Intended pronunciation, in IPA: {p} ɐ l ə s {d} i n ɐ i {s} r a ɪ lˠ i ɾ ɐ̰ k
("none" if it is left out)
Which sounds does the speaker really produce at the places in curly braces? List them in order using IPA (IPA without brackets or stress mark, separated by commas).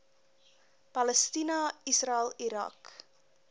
p, t, s